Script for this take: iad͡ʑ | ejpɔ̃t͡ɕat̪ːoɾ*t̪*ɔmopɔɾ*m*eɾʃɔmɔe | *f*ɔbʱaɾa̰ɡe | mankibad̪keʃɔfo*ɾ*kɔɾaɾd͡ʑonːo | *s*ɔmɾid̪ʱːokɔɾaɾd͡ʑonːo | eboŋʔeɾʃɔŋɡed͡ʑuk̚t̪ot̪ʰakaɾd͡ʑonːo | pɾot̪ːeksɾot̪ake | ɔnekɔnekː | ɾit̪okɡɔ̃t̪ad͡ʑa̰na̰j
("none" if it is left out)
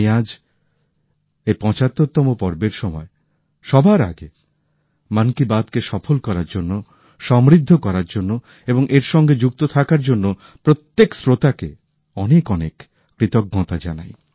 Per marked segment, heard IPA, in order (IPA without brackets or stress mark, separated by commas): t̪, b, ʃ, l, ʃ